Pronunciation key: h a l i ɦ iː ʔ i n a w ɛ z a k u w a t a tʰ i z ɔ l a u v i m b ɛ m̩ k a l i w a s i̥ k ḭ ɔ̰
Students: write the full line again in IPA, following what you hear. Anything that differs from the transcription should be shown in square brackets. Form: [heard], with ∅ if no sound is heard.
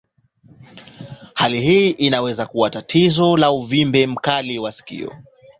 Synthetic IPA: h a l i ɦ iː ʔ i n a w ɛ z a k u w a t a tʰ i z ɔ l a u v i m b ɛ m̩ k a l i w a s i̥ k ḭ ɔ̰